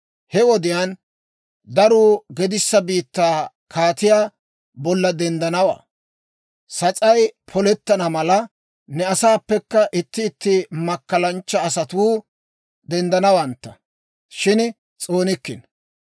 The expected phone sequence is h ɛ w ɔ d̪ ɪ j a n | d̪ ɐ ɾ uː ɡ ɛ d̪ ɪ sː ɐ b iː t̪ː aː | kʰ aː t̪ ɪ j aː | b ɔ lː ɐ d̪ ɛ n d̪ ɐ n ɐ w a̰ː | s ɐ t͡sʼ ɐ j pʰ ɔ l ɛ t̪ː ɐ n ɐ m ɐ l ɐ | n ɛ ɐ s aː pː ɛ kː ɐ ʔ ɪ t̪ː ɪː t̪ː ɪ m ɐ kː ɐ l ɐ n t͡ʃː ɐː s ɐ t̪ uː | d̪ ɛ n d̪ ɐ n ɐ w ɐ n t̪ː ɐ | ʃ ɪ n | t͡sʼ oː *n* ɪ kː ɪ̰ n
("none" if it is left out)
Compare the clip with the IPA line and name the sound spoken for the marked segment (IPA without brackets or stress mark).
n